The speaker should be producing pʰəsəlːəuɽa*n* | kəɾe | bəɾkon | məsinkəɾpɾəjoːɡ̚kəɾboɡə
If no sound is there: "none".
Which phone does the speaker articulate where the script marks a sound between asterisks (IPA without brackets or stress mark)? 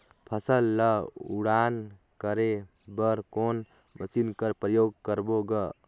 n